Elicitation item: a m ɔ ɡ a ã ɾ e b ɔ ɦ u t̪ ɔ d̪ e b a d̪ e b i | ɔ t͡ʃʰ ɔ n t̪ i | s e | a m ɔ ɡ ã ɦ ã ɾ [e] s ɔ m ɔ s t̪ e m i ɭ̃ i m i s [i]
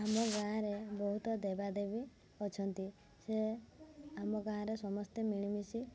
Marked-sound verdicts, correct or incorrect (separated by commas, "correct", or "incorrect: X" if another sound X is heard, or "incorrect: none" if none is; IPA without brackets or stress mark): correct, correct